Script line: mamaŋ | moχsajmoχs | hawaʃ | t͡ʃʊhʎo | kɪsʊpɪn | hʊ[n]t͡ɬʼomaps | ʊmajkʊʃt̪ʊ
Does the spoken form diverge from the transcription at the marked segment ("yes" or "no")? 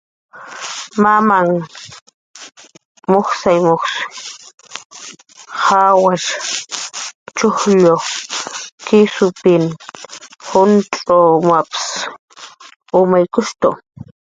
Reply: no